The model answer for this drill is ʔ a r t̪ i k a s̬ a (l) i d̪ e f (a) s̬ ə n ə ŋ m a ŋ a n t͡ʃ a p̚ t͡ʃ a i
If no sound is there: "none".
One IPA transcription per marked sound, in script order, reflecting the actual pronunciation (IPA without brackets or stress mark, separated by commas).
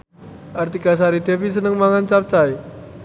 ɾ, i